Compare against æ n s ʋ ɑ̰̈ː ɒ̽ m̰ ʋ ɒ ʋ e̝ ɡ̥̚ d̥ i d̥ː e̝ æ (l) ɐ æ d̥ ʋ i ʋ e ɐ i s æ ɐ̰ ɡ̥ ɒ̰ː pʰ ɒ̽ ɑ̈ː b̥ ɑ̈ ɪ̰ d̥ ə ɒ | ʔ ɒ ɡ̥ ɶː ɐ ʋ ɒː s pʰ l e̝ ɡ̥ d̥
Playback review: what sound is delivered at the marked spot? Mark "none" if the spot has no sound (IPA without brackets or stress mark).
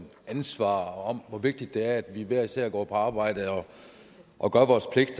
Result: none